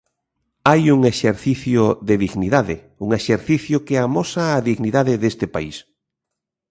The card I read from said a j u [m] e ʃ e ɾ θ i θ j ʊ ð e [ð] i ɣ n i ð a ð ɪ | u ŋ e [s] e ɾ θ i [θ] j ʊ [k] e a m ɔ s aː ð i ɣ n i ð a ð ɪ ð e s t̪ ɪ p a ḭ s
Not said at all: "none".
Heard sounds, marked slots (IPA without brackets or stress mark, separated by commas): ŋ, ð, ʃ, θ, k